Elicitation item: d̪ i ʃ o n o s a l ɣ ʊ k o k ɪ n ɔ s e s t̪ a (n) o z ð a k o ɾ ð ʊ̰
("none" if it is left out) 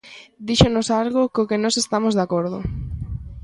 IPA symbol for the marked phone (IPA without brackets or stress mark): m